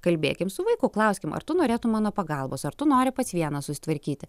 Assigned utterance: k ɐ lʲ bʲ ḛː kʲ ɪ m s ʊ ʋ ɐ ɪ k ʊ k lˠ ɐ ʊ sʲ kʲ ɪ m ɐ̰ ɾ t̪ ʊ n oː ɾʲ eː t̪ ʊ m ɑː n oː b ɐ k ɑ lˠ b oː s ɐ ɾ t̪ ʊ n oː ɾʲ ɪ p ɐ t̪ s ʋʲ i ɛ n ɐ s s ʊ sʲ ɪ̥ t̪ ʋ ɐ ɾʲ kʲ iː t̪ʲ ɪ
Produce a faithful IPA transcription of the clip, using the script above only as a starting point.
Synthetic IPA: k ɐ lʲ bʲ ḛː kʲ ɪ m s ʊ ʋ ɐ ɪ k ʊ k lˠ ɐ ʊ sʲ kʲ ɪ m ɐ̰ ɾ t̪ ʊ n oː ɾʲ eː t̪ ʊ m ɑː n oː p ɐ ɡ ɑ lˠ b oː s ɐ ɾ t̪ ʊ n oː ɾʲ ɪ p ɐ t̪ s ʋʲ i ɛ n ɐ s s ʊ sʲ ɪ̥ t̪ ʋ ɐ ɾʲ kʲ iː t̪ʲ ɪ